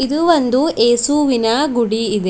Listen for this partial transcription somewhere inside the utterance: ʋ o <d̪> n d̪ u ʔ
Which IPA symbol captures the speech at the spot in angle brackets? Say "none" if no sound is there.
none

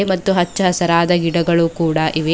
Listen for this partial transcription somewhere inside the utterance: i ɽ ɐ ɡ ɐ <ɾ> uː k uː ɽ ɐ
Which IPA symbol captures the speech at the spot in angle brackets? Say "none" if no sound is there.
ɭ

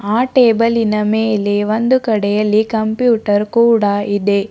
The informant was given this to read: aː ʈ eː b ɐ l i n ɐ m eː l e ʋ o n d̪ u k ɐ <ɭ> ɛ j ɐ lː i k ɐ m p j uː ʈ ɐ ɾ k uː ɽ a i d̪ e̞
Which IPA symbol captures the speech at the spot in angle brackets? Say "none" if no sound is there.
ɽ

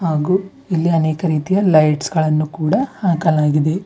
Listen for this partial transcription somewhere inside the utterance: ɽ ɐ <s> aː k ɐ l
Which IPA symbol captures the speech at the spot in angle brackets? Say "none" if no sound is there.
h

